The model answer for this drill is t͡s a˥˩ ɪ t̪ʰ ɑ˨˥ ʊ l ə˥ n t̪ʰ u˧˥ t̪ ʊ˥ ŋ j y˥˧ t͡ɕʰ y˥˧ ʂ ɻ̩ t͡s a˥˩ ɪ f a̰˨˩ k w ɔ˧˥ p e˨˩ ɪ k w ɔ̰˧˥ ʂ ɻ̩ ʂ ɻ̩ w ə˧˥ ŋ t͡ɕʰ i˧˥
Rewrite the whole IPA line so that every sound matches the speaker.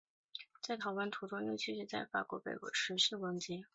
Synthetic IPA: t͡s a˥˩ ɪ t̪ʰ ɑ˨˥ ʊ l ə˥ n t̪ʰ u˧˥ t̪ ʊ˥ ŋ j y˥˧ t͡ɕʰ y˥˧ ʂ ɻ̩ t͡s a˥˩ ɪ f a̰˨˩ k w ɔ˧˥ p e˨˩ ɪ k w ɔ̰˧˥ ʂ ɻ̩ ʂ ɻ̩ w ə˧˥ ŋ t͡ɕ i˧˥